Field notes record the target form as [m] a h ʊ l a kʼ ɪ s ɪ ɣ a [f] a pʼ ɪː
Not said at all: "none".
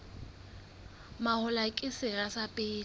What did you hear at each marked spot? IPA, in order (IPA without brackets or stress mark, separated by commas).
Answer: m, s